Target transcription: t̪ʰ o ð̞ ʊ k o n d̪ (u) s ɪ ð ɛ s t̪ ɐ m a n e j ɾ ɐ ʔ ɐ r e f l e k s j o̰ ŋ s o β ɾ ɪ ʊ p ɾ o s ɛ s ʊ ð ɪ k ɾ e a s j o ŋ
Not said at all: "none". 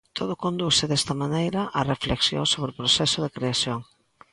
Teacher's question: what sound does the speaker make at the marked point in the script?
u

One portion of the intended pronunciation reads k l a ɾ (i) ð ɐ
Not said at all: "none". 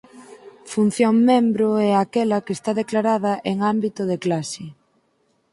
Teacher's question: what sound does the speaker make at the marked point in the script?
a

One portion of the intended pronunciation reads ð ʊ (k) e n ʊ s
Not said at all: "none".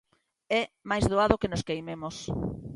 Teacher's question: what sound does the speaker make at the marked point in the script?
k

